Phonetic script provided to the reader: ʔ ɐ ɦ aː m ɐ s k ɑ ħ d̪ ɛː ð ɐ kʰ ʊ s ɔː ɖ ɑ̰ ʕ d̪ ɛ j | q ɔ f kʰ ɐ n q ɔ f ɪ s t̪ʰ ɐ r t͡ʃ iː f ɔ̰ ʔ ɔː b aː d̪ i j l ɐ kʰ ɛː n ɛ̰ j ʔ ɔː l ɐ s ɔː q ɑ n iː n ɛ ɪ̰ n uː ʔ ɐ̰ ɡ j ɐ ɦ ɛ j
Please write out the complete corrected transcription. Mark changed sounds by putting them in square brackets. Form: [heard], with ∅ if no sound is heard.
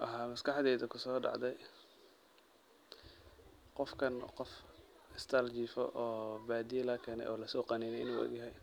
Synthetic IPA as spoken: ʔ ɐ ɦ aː m ɐ s k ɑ ħ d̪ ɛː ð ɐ kʰ ʊ s ɔː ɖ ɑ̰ ʕ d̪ ɛ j | q ɔ f kʰ ɐ n q ɔ f ɪ s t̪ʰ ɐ [l] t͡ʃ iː f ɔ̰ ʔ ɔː b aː d̪ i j l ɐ kʰ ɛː n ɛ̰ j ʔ ɔː l ɐ s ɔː q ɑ n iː n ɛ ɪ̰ n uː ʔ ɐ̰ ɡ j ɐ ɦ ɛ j